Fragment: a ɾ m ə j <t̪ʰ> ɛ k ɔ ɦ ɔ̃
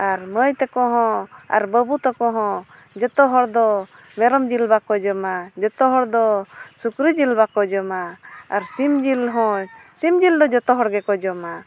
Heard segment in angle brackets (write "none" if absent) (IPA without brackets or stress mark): t̪